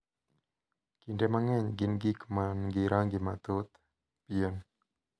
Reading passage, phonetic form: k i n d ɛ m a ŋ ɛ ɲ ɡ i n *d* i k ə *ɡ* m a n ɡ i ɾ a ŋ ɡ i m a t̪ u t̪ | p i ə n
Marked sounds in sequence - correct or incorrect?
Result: incorrect, incorrect

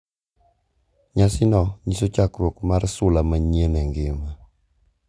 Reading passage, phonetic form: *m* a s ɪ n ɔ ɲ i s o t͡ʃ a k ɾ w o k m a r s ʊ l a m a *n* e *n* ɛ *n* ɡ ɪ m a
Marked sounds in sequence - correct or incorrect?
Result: incorrect, incorrect, correct, incorrect

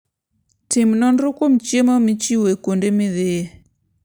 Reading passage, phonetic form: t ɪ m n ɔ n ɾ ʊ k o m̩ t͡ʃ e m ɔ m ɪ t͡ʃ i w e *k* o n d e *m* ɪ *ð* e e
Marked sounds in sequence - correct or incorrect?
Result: correct, correct, correct

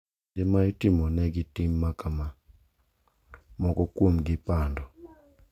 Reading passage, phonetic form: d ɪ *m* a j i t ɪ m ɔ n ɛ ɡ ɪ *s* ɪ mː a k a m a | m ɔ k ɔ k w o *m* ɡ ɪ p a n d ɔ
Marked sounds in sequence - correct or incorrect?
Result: correct, incorrect, correct

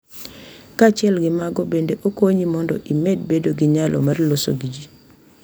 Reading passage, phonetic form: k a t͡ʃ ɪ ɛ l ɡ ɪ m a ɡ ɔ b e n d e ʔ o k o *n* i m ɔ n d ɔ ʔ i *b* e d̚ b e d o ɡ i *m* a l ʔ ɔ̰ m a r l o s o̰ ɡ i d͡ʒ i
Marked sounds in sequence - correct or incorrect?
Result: incorrect, incorrect, incorrect

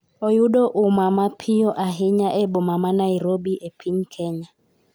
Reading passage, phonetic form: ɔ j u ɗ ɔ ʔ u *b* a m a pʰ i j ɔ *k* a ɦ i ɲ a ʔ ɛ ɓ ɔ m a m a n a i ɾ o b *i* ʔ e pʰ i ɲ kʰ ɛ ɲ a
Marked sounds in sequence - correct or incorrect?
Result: incorrect, incorrect, correct

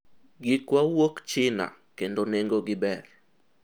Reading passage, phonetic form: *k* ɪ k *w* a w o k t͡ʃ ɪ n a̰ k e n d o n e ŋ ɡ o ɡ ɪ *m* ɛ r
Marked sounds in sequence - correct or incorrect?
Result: incorrect, correct, incorrect

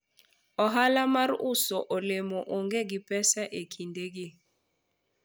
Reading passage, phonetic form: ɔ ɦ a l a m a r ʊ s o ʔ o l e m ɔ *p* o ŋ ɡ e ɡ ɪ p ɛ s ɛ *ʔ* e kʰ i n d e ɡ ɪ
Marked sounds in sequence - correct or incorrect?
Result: incorrect, correct

